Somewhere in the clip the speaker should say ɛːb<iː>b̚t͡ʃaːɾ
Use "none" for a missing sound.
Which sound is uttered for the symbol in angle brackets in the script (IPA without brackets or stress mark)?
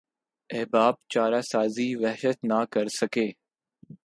aː